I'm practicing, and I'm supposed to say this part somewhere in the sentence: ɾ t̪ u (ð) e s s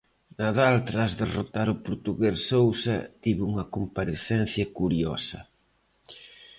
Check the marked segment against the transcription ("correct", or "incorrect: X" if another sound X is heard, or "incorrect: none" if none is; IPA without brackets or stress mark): incorrect: ɣ